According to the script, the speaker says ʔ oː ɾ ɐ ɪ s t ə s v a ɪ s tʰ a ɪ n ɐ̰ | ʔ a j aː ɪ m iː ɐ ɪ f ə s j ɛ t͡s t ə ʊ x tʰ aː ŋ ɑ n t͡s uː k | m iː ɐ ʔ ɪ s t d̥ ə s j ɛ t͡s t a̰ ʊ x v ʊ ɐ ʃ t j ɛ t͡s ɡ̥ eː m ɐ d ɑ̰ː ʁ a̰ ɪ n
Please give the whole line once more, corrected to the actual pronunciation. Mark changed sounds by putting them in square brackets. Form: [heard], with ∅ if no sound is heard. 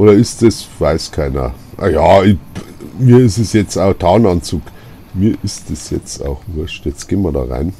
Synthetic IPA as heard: ʔ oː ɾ ɐ ɪ s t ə s v a ɪ s [kʰ] a ɪ n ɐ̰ | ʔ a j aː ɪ m iː ɐ ɪ [s] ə s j ɛ t͡s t [a] ʊ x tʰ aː [n] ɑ n t͡s uː k | m iː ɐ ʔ ɪ s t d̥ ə s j ɛ t͡s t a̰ ʊ x v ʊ ɐ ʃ t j ɛ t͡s ɡ̥ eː m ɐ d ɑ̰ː ʁ a̰ ɪ n